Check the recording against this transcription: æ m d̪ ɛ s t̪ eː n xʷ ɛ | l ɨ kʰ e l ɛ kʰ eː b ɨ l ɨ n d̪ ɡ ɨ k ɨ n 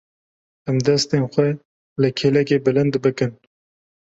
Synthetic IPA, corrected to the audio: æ m d̪ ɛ s t̪ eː n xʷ ɛ | l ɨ kʰ e l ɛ k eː b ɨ l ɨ n d̪ b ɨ k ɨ n